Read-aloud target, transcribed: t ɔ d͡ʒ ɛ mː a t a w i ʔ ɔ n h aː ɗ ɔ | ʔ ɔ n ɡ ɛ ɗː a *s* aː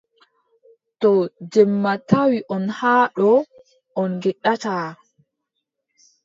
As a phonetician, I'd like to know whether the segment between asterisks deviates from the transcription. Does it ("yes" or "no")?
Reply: yes